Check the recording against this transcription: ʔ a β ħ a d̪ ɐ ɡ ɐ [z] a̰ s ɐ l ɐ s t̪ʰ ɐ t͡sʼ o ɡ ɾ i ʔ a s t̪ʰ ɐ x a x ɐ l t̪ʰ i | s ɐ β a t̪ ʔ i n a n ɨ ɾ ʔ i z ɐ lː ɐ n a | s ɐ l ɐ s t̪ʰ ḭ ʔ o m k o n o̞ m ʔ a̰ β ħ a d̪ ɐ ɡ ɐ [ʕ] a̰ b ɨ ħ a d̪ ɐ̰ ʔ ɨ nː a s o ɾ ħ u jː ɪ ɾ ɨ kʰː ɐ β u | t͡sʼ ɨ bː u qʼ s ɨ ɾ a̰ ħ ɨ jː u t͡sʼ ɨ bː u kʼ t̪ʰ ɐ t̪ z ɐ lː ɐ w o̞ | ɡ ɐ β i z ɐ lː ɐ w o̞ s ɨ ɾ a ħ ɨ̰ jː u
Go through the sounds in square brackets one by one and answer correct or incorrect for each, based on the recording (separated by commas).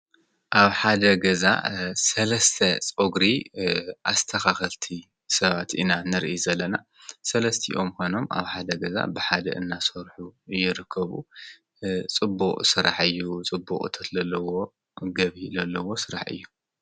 correct, incorrect